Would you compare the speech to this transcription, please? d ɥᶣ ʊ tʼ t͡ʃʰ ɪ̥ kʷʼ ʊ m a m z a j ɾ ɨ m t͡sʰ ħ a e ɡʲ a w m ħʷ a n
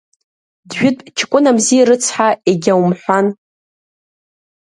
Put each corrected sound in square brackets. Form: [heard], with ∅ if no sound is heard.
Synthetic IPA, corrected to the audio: d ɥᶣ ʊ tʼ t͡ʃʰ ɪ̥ kʷʼ ʊ [n] a m z [i] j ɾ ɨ [∅] t͡sʰ ħ a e ɡʲ a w m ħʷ a n